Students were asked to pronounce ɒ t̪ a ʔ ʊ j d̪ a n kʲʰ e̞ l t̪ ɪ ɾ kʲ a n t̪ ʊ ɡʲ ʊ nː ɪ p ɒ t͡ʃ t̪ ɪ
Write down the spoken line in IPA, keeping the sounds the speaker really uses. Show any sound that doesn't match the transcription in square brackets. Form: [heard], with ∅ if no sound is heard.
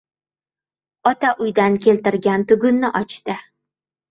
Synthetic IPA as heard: ɒ t̪ a ʔ ʊ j d̪ a n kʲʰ e̞ l t̪ ɪ ɾ [ɡʲ] a n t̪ ʊ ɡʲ ʊ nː ɪ [ʔ] ɒ t͡ʃ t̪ ɪ

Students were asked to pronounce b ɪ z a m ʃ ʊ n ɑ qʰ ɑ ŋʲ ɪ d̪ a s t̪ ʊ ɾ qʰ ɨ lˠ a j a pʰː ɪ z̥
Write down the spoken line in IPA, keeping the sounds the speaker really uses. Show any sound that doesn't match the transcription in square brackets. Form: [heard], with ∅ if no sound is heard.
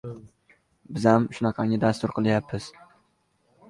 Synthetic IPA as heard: b ɪ z a m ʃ ʊ n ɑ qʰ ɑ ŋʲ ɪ d̪ a s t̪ ʊ ɾ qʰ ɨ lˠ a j a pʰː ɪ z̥

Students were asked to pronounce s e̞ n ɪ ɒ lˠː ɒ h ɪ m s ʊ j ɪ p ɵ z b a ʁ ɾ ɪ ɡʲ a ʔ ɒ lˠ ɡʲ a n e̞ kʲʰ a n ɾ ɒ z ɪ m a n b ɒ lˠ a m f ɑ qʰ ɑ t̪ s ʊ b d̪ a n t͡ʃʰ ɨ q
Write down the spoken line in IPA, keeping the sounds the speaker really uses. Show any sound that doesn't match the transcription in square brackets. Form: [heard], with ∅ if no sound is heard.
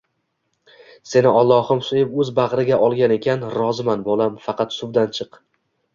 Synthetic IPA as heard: s e̞ n ɪ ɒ lˠː ɒ h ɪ m s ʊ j ɪ p ɵ z b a ʁ ɾ ɪ ɡʲ a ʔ ɒ lˠ ɡʲ a n e̞ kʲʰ a n ɾ ɒ z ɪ m a n b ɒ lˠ a m f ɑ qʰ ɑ t̪ s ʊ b d̪ a n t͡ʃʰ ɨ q

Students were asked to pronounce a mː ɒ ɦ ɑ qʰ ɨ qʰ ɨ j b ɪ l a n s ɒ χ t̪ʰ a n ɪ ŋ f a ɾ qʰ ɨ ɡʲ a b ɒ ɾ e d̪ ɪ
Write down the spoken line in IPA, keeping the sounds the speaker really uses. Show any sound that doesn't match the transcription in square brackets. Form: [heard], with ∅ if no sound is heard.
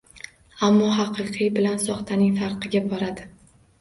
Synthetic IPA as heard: a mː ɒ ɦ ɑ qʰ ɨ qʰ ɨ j b ɪ l a n s ɒ χ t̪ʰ a n ɪ ŋ f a ɾ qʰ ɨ ɡʲ a b ɒ ɾ [a] d̪ ɪ

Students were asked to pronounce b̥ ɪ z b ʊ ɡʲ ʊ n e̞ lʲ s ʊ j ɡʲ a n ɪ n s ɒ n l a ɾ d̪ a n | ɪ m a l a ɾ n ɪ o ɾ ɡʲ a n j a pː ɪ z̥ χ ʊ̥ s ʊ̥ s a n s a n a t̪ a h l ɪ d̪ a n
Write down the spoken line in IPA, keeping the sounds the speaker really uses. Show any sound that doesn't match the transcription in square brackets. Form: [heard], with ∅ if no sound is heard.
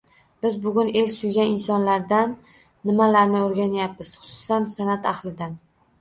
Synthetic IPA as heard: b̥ ɪ z b ʊ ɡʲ ʊ n e̞ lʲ s ʊ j ɡʲ a n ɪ n s ɒ n l a ɾ d̪ a [nː] | ɪ m a l a ɾ n ɪ o ɾ ɡʲ a n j a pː ɪ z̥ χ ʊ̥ s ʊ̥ s a n s a n a t̪ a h l ɪ d̪ a n

